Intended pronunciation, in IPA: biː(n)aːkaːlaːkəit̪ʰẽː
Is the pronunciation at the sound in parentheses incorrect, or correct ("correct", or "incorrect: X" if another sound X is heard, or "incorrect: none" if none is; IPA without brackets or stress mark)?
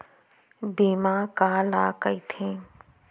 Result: incorrect: m